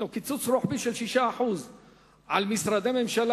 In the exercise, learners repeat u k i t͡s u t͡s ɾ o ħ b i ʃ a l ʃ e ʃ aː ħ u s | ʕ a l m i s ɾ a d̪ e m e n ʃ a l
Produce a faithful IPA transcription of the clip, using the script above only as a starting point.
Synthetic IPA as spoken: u k i t͡s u t͡s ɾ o ħ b i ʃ e l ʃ i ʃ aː ħ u z | ʕ a l m i s ɾ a d̪ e m e m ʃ a l